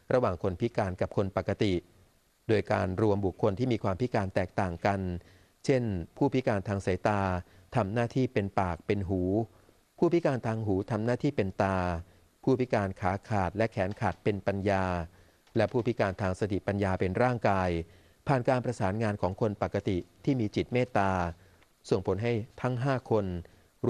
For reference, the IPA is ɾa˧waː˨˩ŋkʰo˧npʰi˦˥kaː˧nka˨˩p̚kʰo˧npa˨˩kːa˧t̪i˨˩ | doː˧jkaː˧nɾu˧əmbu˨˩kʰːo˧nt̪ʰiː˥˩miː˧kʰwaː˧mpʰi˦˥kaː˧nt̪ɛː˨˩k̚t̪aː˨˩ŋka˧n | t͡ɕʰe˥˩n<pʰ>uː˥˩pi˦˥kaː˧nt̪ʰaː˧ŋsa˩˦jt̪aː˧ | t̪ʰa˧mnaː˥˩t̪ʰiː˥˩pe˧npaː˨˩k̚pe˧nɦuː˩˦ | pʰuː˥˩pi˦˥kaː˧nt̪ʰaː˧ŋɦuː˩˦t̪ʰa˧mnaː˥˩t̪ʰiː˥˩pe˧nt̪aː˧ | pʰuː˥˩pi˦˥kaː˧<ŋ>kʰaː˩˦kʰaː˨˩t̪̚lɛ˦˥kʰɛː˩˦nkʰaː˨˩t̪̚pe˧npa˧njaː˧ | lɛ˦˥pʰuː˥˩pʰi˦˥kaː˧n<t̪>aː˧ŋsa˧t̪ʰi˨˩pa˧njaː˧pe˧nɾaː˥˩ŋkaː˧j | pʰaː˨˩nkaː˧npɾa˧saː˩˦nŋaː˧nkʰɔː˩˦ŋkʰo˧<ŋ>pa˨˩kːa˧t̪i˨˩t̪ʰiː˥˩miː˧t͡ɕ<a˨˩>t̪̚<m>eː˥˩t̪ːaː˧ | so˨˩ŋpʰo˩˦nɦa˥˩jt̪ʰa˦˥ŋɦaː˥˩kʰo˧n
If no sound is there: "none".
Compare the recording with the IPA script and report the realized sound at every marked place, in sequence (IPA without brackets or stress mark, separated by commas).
pʰ, n, t̪ʰ, n, i˨˩, m